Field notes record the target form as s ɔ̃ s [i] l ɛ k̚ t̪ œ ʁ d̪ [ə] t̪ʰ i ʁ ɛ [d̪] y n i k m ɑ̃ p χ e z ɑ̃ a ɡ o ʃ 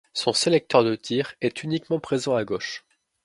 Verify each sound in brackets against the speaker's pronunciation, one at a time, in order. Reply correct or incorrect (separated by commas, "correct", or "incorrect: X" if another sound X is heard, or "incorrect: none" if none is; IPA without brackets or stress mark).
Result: incorrect: e, correct, incorrect: t̪